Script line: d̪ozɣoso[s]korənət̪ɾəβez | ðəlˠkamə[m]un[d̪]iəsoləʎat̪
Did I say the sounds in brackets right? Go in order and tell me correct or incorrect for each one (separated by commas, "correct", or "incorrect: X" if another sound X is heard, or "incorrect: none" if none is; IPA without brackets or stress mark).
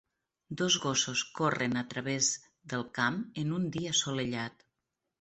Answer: correct, incorrect: n, correct